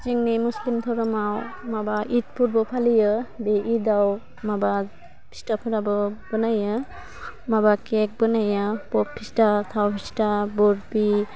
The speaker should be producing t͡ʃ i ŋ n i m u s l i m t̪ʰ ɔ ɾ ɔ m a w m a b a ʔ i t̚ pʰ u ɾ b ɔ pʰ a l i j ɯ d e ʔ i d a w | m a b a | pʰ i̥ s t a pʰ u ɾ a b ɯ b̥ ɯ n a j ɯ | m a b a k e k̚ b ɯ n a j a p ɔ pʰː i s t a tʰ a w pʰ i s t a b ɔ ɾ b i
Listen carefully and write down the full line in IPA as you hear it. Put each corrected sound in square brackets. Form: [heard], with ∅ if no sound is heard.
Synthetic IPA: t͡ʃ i ŋ n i m u s l i m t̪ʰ ɔ ɾ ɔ m a w m a b a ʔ i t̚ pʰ u ɾ b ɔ pʰ a l i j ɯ [b] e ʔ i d a w | m a b a | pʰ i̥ s t a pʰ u ɾ a b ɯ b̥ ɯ n a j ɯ | m a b a k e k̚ b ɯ n a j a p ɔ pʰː i s t a tʰ a w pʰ i s t a b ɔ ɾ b i